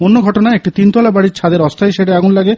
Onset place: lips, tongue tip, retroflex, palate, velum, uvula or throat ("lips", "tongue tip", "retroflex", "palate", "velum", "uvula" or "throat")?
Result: tongue tip